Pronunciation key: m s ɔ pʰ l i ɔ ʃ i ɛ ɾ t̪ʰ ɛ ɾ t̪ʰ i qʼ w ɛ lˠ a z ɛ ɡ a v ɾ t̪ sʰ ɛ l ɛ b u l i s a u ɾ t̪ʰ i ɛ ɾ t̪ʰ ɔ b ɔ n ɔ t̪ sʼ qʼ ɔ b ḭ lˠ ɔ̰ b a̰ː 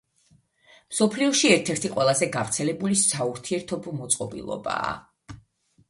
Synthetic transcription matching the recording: m s ɔ pʰ l i ɔ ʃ i ɛ ɾ t̪ʰ ɛ ɾ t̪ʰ i qʼ w ɛ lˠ a z ɛ ɡ a v ɾ t̪ sʰ ɛ l ɛ b u l i s a u ɾ t̪ʰ i ɛ ɾ t̪ʰ ɔ b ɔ m ɔ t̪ sʼ qʼ ɔ b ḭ lˠ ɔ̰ b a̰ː